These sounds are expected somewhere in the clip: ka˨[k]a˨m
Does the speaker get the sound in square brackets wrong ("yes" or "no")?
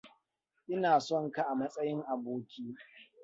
yes